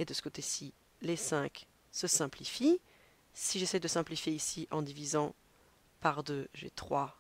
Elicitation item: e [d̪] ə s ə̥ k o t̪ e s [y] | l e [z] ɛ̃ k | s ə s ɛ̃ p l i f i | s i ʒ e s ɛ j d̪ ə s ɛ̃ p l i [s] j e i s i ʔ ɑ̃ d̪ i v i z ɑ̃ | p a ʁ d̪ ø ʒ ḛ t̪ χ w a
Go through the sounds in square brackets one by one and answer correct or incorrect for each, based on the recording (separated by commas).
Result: correct, incorrect, incorrect, incorrect